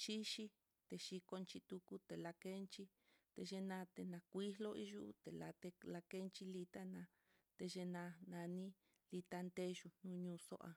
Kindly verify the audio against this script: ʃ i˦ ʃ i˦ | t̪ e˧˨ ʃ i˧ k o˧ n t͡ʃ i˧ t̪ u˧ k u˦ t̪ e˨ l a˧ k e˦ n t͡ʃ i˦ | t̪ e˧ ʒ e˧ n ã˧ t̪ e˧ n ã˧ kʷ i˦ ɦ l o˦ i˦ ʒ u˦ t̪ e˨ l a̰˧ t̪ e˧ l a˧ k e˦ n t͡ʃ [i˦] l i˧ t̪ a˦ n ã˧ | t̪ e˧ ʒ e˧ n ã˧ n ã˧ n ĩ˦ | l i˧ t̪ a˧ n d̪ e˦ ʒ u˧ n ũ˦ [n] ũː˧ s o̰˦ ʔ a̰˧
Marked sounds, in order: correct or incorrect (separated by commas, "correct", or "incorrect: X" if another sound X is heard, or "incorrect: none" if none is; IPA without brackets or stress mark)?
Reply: correct, incorrect: ɲ